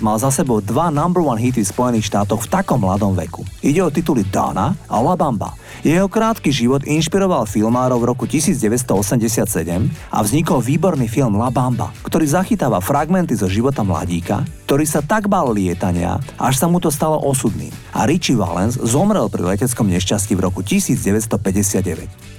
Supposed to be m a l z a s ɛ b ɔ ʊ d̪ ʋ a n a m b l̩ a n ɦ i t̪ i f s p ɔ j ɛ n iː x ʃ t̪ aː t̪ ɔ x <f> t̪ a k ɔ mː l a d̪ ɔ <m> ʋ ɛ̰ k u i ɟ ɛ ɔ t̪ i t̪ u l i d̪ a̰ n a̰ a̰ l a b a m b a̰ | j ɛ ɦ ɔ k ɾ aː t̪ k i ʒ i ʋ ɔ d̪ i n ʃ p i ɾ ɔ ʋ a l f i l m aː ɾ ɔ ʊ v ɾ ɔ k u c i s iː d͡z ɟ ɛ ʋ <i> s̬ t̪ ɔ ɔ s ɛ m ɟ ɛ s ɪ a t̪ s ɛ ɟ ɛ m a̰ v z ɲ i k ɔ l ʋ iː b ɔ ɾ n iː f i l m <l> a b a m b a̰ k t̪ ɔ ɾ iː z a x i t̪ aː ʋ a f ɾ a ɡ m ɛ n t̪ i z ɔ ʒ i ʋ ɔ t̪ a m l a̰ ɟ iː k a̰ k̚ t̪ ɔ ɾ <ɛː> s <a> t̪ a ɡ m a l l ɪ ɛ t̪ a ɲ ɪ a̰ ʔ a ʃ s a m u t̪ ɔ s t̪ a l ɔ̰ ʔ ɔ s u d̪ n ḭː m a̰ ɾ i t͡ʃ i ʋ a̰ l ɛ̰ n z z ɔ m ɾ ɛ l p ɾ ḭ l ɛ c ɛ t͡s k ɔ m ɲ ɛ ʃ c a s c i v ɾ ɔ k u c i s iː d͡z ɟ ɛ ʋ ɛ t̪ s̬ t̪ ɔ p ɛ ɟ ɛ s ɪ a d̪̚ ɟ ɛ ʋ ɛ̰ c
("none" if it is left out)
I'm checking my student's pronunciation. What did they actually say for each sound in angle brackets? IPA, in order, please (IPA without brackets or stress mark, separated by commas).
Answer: f, m, ɛ, l, iː, a